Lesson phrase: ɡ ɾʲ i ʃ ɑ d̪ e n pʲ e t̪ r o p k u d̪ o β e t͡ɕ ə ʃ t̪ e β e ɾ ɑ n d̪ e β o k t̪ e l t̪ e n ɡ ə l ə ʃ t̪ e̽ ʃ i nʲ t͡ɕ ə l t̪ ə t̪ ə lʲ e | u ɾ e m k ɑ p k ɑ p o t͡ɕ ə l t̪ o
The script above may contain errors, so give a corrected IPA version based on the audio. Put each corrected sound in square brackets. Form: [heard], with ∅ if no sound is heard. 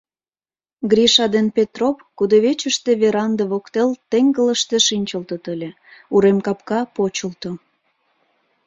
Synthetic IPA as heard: ɡ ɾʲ i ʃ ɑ d̪ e n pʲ e t̪ r o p k u d̪ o β e t͡ɕ ə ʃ t̪ e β e ɾ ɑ n d̪ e β o k t̪ e l t̪ e [ŋ] ɡ ə l ə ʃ t̪ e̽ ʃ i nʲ t͡ɕ ə l t̪ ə t̪ ə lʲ e | u ɾ e m k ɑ p k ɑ p o t͡ɕ ə l t̪ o